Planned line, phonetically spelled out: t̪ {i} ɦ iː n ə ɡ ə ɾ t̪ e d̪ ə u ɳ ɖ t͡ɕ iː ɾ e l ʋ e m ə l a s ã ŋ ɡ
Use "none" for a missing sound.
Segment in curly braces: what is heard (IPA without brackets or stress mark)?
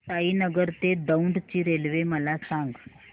a